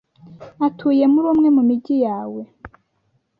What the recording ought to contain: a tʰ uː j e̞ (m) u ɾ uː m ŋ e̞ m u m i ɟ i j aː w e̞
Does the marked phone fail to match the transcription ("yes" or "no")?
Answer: no